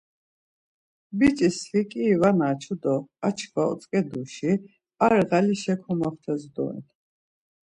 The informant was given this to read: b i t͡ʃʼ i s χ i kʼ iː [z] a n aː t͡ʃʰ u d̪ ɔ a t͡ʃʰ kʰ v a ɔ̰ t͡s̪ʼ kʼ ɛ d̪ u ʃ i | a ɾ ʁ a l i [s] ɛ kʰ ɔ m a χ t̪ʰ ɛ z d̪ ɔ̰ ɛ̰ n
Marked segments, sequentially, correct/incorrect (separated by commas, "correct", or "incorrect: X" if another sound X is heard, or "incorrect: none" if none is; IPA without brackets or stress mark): incorrect: v, incorrect: ʃ